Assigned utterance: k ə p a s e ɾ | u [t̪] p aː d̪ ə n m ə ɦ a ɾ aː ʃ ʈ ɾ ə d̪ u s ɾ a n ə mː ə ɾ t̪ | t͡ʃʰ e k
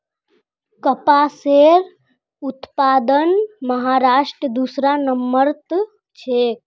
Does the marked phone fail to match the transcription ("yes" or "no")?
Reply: no